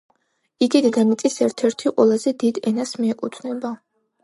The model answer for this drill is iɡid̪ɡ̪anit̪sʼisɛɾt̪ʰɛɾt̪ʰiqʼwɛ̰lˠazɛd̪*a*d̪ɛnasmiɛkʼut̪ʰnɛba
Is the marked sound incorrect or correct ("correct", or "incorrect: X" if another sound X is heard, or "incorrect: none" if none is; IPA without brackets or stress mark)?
incorrect: i